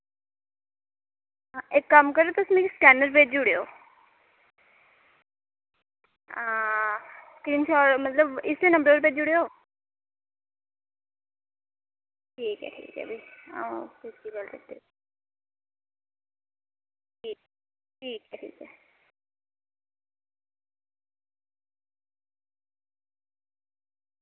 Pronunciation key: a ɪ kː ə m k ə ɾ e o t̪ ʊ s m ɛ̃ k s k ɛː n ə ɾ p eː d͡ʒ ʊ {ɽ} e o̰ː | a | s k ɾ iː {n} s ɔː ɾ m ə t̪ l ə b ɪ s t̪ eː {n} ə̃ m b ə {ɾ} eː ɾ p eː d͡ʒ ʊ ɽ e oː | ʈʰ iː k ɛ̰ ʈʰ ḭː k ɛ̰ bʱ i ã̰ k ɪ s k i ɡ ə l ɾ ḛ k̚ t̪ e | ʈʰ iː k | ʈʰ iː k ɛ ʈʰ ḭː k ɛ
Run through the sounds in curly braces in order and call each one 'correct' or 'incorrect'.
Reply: correct, correct, correct, correct

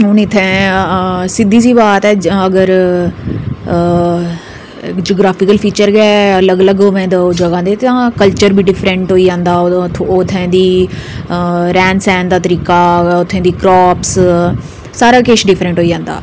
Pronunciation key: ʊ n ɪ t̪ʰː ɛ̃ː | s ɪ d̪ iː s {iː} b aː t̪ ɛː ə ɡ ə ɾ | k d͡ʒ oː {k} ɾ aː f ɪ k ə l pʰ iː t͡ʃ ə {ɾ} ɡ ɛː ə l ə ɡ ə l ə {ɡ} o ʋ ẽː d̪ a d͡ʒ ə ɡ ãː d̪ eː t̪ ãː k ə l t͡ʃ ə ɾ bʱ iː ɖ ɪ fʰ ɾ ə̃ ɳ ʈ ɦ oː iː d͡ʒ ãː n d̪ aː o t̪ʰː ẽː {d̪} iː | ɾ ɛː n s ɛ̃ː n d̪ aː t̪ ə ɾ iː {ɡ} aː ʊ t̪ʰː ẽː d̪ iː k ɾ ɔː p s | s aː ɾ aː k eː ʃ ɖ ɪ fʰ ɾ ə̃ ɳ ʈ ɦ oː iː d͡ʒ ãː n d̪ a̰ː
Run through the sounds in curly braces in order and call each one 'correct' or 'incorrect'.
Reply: correct, incorrect: ɡ, correct, correct, correct, incorrect: k

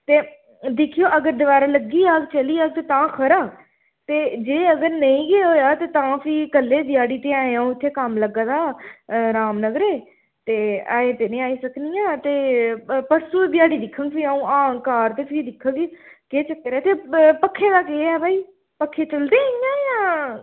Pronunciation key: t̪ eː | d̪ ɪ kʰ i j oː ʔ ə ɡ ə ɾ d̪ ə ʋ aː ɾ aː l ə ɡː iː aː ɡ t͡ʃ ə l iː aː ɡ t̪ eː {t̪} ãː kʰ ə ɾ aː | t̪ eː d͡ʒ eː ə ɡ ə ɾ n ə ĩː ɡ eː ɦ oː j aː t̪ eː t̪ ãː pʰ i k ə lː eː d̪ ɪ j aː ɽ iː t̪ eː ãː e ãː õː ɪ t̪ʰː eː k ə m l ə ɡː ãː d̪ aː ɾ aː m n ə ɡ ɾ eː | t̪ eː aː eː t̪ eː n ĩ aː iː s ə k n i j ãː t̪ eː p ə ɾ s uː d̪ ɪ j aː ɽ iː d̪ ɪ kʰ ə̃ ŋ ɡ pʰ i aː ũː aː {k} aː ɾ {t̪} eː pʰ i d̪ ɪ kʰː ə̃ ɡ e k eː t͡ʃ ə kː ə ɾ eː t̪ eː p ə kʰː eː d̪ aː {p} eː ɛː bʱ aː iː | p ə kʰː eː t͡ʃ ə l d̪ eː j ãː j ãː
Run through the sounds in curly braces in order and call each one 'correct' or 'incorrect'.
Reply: correct, correct, correct, incorrect: k

